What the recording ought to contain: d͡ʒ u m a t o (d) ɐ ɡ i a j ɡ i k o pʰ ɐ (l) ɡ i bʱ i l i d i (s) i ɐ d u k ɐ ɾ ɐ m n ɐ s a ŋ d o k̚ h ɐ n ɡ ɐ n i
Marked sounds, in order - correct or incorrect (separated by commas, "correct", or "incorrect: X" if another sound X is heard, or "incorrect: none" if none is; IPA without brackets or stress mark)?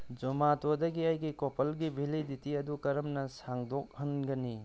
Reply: correct, correct, incorrect: t